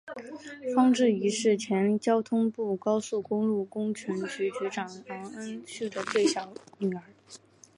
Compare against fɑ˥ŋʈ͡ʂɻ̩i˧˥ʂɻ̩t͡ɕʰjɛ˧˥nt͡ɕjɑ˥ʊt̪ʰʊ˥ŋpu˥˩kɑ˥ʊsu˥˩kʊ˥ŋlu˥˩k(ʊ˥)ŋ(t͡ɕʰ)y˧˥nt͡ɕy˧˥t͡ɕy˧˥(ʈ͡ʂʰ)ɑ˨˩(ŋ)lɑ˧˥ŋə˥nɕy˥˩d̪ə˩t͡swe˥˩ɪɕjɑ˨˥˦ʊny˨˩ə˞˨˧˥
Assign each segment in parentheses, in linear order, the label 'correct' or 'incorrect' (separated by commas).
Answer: correct, correct, incorrect, correct